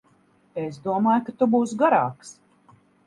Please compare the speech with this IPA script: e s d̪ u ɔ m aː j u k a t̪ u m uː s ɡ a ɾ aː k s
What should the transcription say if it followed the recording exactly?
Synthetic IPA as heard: e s d̪ u ɔ m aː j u k a t̪ u b uː s ɡ a ɾ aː k s